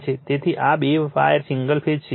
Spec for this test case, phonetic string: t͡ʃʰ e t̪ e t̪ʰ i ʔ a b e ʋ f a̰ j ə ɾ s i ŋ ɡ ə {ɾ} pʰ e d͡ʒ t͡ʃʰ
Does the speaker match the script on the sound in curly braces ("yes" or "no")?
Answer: no